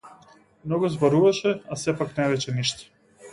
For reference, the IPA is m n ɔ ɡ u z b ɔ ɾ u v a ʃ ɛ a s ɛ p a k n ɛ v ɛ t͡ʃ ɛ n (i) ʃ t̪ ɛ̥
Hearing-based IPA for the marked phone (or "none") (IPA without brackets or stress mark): i